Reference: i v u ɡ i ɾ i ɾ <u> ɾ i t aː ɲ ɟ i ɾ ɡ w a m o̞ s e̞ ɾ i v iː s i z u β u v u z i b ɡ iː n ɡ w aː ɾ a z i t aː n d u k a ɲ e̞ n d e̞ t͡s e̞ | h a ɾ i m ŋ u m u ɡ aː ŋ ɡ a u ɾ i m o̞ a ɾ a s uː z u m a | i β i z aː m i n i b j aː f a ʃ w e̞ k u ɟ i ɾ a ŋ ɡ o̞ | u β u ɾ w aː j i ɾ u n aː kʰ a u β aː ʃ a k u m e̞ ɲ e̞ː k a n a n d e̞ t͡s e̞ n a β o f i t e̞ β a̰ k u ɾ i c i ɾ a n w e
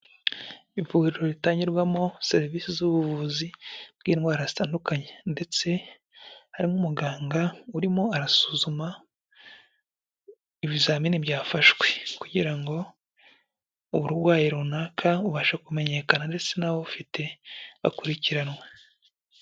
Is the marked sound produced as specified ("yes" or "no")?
no